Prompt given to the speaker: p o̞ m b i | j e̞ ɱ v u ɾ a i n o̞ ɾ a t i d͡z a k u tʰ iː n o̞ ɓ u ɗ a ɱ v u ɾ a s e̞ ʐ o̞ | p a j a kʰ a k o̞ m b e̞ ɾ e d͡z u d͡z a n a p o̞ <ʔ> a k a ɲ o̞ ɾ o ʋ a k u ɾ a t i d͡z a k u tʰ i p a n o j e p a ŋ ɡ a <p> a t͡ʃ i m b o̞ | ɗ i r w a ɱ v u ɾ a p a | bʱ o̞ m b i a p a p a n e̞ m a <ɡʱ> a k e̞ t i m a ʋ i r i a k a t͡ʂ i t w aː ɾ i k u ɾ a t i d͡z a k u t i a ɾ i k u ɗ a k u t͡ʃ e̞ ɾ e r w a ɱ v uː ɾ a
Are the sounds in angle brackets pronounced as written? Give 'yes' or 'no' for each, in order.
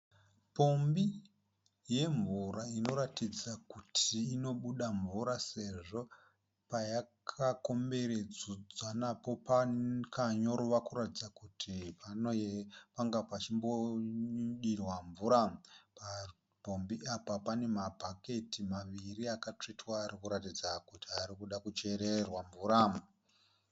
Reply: no, yes, no

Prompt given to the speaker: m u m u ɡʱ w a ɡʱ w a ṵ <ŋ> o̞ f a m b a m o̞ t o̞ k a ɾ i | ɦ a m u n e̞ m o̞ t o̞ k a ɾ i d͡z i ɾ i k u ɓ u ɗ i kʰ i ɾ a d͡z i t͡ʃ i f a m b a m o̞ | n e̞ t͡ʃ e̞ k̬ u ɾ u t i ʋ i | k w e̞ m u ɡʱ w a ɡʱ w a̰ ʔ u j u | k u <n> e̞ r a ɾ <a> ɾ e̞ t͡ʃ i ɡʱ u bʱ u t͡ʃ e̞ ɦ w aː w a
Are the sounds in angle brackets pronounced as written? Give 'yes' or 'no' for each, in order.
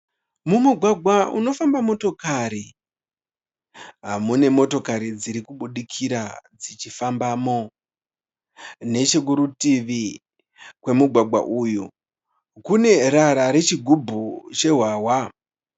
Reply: no, yes, yes

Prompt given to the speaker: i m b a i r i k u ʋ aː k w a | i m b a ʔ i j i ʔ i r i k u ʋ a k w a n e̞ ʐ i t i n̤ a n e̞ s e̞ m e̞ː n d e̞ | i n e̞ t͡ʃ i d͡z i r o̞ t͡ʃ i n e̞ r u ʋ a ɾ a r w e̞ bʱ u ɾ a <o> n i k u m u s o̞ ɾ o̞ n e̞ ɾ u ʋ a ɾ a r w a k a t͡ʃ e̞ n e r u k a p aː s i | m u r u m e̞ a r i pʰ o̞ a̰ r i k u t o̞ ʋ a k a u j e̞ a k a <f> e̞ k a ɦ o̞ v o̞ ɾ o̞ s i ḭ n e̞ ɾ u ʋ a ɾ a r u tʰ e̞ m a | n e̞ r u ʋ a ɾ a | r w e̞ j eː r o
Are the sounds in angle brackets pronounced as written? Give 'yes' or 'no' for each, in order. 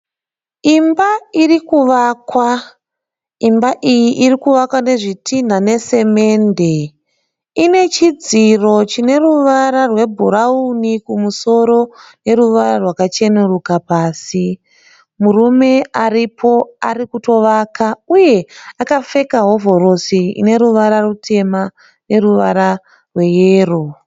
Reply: no, yes

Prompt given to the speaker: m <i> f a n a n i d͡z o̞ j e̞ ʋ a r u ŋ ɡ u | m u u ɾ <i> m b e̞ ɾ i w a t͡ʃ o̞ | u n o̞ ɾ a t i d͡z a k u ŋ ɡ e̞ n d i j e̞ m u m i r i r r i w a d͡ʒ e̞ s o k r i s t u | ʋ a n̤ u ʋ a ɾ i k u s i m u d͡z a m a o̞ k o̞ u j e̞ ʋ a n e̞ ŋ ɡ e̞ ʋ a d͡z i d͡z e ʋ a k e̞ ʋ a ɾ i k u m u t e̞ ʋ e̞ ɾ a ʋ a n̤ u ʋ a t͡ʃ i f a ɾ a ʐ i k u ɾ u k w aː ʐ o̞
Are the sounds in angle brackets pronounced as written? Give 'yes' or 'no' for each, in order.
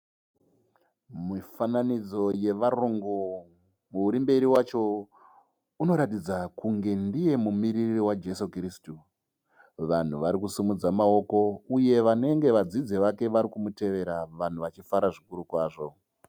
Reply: yes, yes

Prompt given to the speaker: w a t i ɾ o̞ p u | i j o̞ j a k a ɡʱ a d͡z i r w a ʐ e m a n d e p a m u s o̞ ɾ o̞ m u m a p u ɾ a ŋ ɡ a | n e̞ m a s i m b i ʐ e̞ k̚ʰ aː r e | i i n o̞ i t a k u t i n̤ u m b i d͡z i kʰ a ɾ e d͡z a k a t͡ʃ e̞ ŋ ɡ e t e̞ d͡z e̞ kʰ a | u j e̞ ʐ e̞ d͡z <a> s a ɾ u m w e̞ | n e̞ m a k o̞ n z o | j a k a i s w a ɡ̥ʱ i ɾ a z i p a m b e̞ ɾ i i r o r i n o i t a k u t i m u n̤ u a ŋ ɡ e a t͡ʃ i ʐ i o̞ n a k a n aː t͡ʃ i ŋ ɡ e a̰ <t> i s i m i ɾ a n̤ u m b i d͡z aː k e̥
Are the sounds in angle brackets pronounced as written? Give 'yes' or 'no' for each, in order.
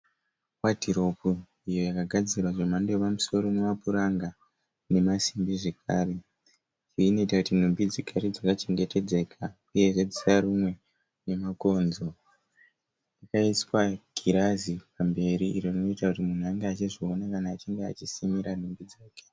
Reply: no, no

